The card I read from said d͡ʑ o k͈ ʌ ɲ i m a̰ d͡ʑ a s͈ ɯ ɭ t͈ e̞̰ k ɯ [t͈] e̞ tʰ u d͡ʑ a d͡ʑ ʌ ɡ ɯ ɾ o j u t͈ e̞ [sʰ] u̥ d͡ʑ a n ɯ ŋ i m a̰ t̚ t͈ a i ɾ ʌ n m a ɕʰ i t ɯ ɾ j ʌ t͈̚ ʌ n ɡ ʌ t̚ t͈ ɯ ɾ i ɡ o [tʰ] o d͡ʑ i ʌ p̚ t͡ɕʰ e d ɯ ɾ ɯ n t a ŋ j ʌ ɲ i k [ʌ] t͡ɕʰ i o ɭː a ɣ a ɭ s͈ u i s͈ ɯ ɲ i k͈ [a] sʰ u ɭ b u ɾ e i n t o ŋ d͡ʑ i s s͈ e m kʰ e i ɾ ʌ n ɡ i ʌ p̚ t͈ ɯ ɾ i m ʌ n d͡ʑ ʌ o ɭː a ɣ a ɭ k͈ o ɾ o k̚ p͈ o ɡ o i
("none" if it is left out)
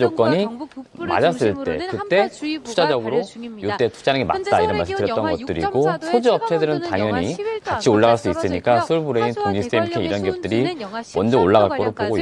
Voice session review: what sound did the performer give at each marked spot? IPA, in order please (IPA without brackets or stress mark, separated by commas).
t͈, tʰ, sʰ, a, a